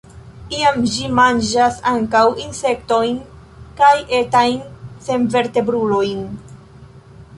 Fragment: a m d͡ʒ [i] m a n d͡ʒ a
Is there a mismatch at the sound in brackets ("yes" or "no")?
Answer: no